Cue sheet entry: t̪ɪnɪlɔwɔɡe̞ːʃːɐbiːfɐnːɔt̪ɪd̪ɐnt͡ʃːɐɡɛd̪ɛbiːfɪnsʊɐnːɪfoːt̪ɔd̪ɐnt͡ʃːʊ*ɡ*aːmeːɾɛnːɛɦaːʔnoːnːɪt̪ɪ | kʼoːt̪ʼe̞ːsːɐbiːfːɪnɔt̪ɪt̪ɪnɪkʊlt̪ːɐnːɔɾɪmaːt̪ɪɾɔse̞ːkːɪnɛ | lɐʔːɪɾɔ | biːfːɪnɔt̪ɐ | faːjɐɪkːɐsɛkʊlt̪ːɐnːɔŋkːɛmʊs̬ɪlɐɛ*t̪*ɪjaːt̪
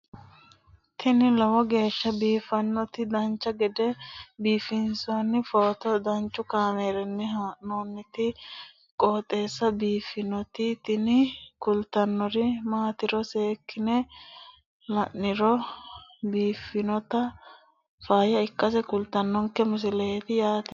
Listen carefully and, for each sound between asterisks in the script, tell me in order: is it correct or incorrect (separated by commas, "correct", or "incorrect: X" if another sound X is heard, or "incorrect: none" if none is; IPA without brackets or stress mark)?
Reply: incorrect: k, correct